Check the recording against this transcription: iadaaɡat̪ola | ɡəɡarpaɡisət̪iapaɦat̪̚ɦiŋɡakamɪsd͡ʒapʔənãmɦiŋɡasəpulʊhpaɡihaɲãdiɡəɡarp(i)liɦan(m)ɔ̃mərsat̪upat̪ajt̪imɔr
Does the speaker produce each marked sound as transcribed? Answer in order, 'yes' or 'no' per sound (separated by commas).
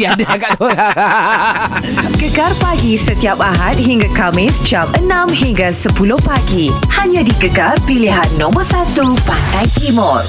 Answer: yes, no